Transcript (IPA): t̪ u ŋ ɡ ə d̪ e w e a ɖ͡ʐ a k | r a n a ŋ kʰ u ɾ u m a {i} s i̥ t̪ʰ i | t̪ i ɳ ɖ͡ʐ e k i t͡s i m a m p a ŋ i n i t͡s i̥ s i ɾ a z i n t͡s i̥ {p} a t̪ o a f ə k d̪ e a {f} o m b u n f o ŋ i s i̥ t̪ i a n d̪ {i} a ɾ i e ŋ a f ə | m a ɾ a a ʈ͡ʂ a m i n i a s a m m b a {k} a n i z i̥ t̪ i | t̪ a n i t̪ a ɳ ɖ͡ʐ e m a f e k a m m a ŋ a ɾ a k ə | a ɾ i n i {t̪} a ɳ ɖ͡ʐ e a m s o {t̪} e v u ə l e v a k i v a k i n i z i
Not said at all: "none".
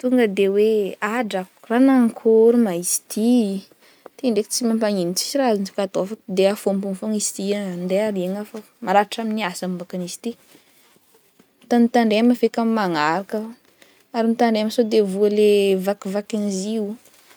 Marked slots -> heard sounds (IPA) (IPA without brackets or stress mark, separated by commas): i, k, f, e, k, t̪, d̪